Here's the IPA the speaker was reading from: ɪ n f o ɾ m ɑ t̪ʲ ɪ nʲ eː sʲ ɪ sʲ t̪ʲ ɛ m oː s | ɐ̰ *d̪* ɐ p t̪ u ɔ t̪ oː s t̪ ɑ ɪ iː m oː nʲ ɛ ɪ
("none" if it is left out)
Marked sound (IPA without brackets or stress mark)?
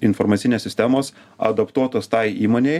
d̪